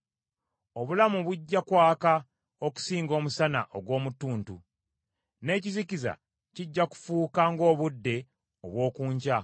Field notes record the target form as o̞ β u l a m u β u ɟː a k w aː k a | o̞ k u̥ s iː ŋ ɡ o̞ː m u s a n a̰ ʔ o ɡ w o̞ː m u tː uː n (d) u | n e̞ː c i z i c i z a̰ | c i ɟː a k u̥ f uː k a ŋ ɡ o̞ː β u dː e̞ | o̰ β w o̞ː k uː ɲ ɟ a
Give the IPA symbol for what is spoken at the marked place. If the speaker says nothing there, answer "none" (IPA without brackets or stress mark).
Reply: t